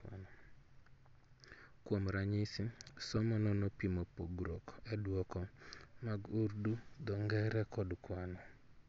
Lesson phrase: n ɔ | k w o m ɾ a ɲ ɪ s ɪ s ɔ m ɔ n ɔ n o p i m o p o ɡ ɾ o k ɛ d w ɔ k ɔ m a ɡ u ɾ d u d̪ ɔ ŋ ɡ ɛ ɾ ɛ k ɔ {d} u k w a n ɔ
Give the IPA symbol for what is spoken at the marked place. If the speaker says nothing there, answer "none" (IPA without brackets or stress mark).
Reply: d